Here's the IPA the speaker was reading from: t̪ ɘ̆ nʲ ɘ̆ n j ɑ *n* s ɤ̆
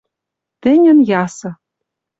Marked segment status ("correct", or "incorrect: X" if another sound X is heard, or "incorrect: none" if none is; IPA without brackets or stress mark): incorrect: none